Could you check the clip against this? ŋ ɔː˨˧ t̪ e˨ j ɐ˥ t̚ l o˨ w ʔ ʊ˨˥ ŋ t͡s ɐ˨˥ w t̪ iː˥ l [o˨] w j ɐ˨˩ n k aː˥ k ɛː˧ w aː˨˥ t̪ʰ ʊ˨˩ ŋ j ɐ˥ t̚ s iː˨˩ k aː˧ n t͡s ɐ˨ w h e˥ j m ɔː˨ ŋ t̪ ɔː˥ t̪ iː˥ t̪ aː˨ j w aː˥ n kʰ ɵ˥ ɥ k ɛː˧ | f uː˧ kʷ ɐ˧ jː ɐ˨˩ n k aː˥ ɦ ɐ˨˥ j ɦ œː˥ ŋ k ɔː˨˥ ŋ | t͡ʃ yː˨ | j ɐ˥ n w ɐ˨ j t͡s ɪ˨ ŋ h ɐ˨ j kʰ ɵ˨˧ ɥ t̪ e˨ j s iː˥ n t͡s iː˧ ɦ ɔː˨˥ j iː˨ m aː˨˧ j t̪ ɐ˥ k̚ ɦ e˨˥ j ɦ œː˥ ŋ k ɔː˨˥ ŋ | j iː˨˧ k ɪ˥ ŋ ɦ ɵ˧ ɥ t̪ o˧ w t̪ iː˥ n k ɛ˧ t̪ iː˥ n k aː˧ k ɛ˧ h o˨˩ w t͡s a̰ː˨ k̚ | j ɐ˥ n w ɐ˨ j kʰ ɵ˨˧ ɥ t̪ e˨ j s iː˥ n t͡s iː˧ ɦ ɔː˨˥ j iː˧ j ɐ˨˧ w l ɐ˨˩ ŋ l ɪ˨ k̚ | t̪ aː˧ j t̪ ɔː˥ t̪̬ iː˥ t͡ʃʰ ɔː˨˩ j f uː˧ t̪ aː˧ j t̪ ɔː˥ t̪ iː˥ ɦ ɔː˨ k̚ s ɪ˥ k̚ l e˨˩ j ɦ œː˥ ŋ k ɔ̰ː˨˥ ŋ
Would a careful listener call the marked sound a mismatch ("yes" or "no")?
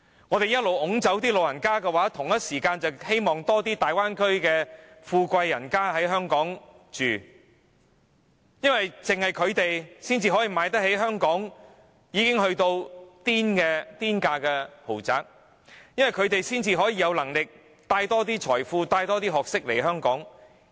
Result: no